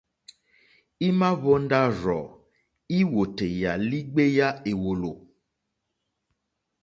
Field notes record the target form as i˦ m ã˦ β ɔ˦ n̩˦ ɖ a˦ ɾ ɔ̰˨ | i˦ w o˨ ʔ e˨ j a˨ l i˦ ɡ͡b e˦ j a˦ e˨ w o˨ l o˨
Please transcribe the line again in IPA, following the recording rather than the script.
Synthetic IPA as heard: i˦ m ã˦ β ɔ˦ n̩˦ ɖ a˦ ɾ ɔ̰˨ | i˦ w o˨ t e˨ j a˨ l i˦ ɡ͡b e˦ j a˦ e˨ w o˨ l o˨